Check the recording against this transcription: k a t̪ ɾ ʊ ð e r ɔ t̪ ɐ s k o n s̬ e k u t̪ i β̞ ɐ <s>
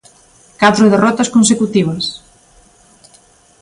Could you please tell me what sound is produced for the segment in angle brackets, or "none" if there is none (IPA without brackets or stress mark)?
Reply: s